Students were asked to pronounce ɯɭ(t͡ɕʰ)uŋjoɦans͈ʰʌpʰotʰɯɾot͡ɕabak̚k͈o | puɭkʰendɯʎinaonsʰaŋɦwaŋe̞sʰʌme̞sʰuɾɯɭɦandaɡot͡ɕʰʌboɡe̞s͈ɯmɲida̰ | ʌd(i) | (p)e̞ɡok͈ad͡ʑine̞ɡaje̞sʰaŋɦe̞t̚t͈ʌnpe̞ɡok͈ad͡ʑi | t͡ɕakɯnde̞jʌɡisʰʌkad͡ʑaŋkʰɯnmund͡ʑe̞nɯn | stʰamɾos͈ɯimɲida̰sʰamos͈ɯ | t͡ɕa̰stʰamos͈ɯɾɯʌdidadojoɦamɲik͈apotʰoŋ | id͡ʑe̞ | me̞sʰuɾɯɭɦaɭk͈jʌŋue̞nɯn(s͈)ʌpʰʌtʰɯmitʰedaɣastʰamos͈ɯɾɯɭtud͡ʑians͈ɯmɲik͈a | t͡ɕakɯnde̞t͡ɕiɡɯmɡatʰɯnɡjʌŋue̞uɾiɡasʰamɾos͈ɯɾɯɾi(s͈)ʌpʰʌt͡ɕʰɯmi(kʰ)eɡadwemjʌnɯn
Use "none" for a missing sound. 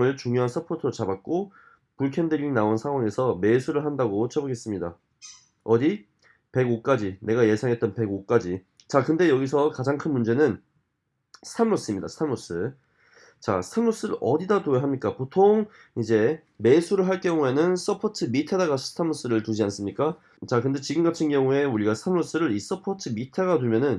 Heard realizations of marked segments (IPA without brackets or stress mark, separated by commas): t͡ɕ, i, p, s͈, s͈, tʰ